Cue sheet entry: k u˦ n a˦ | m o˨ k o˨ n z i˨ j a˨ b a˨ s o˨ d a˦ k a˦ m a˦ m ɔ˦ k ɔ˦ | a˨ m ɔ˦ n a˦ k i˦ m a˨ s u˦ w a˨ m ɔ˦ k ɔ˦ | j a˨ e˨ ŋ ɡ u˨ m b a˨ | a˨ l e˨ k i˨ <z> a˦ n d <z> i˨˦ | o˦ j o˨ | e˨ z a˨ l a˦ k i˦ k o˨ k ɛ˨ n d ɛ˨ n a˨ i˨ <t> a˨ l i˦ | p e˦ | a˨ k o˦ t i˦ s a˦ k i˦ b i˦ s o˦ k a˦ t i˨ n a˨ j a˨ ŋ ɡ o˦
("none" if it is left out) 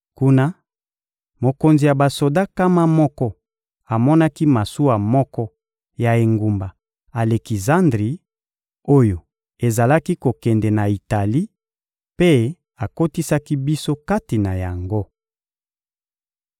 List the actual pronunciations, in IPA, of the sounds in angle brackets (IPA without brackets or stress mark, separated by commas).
z, ʁ, t